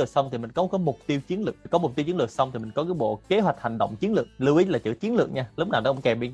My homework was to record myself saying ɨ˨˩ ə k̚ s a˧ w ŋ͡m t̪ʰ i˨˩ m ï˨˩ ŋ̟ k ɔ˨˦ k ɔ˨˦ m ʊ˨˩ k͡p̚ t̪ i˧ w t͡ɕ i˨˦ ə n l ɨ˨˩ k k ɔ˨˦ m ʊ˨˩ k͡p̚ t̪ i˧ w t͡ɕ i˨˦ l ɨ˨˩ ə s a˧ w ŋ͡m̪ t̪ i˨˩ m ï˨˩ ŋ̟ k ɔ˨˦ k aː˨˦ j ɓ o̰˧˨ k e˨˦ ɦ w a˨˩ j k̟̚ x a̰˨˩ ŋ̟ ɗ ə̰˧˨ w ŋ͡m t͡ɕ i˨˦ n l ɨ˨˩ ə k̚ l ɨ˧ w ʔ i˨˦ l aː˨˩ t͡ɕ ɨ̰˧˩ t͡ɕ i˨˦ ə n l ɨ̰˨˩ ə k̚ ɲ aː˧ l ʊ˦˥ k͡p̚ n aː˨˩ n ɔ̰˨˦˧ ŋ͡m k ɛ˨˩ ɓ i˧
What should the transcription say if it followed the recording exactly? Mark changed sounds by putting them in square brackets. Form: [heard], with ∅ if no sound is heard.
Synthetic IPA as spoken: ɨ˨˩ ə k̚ s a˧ w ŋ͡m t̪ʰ i˨˩ m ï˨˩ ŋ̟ k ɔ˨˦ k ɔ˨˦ m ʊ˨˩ k͡p̚ t̪ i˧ w t͡ɕ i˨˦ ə n l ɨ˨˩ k k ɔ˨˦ m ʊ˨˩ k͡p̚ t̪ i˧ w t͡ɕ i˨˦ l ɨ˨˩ ə s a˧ w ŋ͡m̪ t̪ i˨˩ m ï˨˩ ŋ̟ k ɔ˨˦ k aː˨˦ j ɓ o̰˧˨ k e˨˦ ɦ w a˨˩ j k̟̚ [h] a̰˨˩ ŋ̟ ɗ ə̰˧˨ w ŋ͡m t͡ɕ i˨˦ n l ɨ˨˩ ə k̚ l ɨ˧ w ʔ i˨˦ l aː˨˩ t͡ɕ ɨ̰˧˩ t͡ɕ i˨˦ ə n l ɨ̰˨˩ ə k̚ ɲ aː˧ l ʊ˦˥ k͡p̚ n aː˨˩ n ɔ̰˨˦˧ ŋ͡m k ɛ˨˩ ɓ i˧